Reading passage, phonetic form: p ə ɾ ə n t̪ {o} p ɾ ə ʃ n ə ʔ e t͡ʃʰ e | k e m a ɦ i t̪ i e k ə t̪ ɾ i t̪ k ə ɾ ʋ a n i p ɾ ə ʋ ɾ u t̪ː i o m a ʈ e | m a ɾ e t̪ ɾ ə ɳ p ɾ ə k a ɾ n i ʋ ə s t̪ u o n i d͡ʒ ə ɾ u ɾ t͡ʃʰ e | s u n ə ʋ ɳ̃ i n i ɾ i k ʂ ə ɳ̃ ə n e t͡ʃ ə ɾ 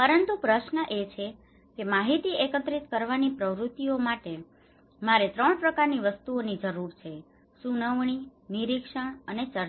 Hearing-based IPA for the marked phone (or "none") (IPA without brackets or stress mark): u